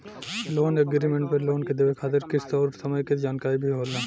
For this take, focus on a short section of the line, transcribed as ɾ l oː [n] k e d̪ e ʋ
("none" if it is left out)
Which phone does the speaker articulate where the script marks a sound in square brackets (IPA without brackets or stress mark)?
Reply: n